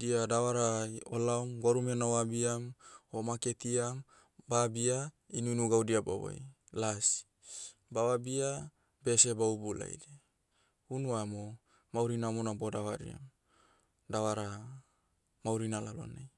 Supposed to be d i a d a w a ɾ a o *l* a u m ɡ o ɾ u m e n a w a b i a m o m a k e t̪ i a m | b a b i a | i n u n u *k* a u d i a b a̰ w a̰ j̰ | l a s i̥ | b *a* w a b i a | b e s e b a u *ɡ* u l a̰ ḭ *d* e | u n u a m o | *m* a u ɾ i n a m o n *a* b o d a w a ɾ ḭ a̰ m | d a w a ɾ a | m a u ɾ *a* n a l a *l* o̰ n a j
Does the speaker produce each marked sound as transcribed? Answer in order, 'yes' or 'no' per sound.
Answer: yes, no, yes, no, yes, yes, yes, no, yes

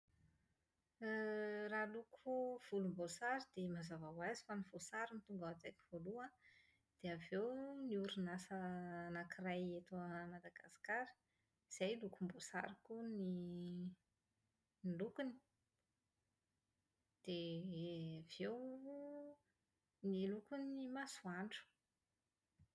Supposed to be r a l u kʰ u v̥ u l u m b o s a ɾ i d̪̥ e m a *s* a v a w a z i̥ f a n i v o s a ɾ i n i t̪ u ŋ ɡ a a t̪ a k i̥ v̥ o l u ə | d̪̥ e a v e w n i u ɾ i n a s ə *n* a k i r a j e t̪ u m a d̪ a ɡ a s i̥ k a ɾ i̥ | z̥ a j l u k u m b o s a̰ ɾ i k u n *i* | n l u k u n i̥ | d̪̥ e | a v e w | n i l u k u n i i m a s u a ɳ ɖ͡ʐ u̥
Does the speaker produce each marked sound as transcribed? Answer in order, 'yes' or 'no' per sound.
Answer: no, yes, yes

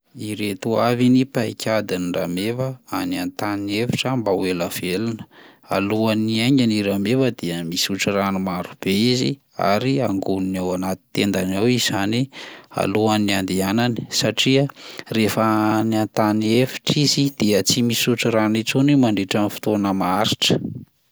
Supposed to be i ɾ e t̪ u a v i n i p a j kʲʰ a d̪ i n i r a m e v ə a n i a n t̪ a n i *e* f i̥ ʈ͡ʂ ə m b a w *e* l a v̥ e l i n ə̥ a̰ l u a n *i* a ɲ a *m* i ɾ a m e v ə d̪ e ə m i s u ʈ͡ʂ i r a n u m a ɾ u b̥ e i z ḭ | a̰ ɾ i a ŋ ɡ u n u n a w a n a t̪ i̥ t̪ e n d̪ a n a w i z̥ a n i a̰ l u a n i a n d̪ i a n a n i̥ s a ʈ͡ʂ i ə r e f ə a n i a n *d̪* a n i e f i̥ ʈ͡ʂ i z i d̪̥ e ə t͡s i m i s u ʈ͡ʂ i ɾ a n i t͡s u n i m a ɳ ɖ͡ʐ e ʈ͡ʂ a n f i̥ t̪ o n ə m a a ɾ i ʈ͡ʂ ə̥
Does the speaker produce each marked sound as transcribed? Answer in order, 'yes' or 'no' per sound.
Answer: yes, yes, yes, no, no

